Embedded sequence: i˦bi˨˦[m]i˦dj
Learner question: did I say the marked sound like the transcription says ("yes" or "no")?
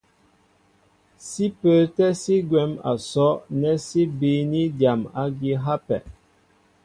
no